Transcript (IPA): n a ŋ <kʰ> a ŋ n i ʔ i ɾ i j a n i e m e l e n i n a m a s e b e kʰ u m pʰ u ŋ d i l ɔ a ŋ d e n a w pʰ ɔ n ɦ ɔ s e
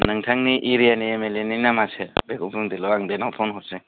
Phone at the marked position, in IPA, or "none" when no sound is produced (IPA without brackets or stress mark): tʰ